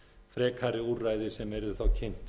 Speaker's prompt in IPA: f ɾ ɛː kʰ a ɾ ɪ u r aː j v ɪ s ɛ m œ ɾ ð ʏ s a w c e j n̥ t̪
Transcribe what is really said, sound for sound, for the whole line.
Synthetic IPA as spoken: f ɾ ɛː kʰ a ɾ ɪ u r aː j ð ɪ s ɛ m ɛ ɾ ð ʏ θ a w cʰ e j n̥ t̪

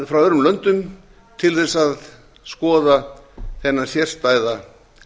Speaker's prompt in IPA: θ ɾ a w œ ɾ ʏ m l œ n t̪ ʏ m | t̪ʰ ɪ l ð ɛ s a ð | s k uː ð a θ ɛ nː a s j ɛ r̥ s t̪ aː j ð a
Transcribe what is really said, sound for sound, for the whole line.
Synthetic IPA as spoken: f ɾ a w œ ɾ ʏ m l œ n t̪ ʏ m | t̪ʰ ɪ l θ ɛ s a ð | s k ɔː ð a θ ɛ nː a s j ɛ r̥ s t̪ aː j ð a

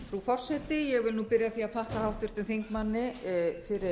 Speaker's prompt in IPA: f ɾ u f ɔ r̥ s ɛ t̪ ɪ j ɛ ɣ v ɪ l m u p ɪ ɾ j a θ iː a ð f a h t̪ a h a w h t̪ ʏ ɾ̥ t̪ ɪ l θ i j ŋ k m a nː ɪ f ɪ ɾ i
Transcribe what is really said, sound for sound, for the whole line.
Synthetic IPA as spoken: f ɾ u f ɔ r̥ s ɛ t̪ ɪ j ɛ ɣ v ɪ l n u p ɪ ɾ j a θ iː a ð f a h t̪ a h a w h t̪ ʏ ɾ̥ t̪ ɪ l θ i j ŋ k m a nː ɪ f ɪ ɾ ɪ

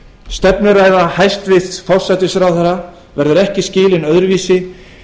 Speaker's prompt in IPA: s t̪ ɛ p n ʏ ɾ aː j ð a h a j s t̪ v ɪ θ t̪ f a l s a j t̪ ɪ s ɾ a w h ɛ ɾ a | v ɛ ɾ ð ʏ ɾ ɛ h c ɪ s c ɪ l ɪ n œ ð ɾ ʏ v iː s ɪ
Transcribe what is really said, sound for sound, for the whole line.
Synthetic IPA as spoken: s t̪ ɛ p n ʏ ɾ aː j ð a h a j s t̪ v ɪ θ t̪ f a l s a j t̪ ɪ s ɾ a w θ ɛ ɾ a | v ɛ ɾ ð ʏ ɾ ɛ h c ɪ s c ɪː l ɪ n œ ð ɾ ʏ v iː s ɪ

